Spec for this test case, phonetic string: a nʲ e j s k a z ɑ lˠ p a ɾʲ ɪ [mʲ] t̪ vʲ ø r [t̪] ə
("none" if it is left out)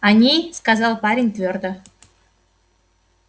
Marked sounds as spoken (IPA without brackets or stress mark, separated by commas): nʲ, d̪